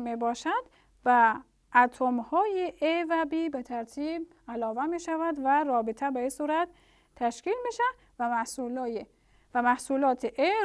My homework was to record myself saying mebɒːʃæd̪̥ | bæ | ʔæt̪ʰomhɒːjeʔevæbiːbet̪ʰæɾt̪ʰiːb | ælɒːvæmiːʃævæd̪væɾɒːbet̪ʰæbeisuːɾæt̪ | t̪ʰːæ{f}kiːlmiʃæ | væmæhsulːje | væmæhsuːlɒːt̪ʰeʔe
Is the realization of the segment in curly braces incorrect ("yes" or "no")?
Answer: yes